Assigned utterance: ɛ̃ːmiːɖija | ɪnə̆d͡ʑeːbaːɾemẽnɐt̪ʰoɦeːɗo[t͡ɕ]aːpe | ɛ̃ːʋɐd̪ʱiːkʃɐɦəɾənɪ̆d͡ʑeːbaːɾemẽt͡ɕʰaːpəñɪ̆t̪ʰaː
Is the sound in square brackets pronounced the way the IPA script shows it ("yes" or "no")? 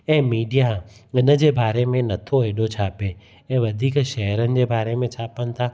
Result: no